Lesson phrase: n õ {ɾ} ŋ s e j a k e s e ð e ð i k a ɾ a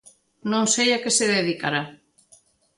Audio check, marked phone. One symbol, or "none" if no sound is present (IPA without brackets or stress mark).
none